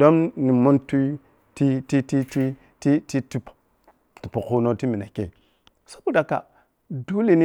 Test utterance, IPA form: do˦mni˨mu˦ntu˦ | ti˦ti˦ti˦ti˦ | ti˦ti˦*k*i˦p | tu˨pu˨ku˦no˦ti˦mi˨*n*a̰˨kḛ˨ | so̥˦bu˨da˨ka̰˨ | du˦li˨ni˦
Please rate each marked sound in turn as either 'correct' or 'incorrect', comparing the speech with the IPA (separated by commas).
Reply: incorrect, correct